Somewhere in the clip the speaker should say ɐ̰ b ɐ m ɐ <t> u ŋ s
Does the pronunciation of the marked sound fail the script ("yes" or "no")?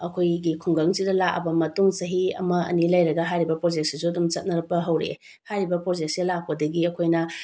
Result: no